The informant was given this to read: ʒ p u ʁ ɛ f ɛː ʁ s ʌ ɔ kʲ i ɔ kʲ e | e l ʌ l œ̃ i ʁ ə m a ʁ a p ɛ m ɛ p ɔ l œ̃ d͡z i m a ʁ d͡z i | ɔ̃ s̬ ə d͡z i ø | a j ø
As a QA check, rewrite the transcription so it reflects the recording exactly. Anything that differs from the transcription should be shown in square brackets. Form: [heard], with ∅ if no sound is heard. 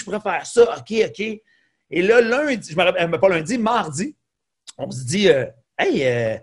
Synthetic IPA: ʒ p u ʁ ɛ f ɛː ʁ s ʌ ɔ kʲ [e] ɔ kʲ e | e l ʌ l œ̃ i [ʒ] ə m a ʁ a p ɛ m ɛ p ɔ l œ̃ d͡z i m a ʁ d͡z i | ɔ̃ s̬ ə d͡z i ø | [ɛ] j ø